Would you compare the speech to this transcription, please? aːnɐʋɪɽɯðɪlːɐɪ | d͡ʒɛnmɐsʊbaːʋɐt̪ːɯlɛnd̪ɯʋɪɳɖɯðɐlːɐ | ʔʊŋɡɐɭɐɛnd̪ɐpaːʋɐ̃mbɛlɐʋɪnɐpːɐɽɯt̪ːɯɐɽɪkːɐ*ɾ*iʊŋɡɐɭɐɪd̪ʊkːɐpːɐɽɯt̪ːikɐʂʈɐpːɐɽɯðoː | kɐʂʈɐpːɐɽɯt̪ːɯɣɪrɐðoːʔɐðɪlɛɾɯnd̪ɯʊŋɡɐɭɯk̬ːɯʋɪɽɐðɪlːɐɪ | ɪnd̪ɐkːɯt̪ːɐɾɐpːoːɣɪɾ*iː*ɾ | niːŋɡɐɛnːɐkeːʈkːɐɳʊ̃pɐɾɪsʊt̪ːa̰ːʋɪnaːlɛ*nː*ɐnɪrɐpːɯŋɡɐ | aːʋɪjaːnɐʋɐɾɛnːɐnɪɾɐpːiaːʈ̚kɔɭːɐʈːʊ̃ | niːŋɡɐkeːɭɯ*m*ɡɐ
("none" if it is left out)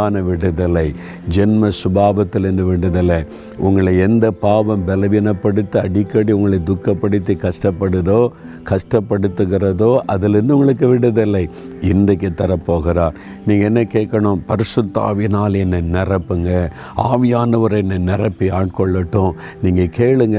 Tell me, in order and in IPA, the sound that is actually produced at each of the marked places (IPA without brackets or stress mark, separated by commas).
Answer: ɽ, aː, nː, ŋ